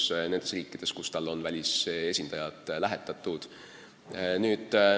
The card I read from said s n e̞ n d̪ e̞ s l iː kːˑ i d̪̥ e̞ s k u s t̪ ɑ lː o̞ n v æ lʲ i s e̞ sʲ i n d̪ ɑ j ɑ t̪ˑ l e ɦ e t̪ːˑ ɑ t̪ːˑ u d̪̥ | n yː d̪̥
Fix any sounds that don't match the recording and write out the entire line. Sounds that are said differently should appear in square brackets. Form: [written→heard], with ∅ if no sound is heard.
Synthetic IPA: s n e̞ n d̪ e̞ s [l→r] iː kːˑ i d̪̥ e̞ s k u s t̪ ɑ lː o̞ n v æ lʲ i s e̞ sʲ i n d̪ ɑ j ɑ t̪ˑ l [e→æ] ɦ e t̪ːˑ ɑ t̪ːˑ u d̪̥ | n yː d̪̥